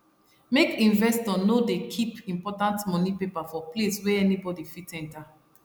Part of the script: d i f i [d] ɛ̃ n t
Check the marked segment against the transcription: incorrect: t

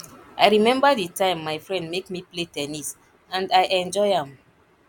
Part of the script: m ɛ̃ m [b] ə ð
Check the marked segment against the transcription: correct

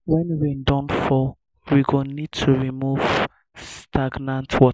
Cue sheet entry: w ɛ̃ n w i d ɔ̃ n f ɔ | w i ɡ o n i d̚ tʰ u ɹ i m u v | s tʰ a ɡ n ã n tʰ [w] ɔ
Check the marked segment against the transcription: correct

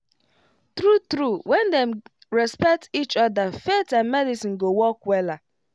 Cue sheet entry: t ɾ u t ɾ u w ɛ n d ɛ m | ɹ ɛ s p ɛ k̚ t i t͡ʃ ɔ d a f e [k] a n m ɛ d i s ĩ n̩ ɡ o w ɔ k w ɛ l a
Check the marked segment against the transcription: incorrect: t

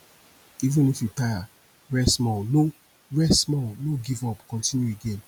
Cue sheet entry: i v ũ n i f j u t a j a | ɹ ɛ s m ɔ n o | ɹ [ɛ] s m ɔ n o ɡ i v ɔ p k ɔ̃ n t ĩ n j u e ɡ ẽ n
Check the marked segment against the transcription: correct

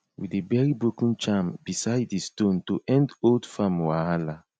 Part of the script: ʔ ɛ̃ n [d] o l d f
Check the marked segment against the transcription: correct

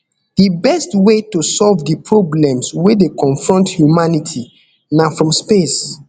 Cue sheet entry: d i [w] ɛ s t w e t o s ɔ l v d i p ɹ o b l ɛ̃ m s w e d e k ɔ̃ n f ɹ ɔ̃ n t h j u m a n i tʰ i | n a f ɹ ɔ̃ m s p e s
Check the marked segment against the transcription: incorrect: b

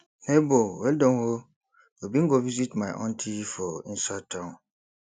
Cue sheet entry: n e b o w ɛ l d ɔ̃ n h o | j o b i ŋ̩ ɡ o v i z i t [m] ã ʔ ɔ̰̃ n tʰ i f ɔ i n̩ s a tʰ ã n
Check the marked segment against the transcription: correct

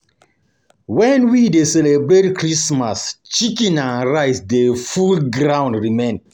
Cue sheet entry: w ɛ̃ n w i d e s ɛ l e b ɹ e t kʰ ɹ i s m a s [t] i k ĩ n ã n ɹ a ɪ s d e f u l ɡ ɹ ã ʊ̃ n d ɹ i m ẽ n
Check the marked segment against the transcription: incorrect: t͡ʃ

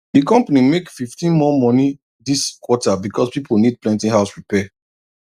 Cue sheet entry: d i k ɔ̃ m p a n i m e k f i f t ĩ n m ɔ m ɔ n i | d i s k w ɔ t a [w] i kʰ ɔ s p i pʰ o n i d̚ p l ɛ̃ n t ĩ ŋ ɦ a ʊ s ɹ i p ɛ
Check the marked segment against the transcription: incorrect: b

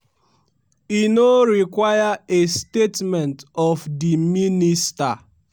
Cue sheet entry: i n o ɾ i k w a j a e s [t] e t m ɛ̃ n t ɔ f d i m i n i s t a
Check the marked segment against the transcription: correct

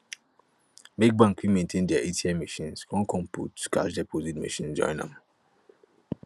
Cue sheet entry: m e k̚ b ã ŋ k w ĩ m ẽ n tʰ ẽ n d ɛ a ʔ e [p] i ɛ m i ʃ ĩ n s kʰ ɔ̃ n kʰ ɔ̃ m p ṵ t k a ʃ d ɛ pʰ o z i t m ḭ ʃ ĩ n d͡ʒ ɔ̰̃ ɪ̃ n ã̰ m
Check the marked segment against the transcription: incorrect: t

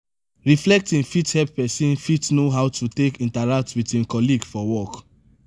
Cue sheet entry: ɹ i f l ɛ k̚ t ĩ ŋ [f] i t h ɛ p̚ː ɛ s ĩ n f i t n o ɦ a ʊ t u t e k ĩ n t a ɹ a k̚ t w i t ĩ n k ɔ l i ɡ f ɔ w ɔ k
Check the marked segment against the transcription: correct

